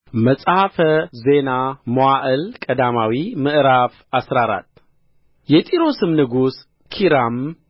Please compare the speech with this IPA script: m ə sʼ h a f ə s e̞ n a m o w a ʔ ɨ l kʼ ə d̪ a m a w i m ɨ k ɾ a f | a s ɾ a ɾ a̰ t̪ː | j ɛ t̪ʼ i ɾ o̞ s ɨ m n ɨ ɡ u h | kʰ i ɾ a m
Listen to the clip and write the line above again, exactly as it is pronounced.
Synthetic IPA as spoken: m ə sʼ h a f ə z e̞ n a m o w a ʔ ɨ l kʼ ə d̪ a m a w i m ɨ ʔ ɾ a f | a s ɾ a ɾ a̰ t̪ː | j ɛ t̪ʼ i ɾ o̞ s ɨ m n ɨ ɡ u s | kʰ i ɾ a m